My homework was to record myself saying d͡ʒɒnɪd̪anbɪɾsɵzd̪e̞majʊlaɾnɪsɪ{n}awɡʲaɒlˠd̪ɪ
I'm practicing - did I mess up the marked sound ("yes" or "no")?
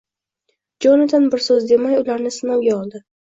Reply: no